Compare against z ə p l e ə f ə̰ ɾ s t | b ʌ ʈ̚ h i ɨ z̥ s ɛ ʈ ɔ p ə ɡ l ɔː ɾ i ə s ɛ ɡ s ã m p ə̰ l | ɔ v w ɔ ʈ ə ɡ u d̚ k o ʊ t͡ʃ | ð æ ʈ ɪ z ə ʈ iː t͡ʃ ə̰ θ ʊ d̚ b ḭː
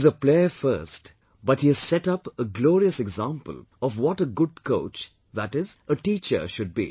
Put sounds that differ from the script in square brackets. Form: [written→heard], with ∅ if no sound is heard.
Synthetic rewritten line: z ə p l e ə f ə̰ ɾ s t | b ʌ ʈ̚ h i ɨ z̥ s ɛ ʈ [ɔ→ʌ] p ə ɡ l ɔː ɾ i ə s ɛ ɡ [s→z] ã m p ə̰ l | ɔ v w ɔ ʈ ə ɡ [u→ʊ] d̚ k o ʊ t͡ʃ | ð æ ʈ ɪ z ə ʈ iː t͡ʃ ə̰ [θ→ʃ] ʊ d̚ b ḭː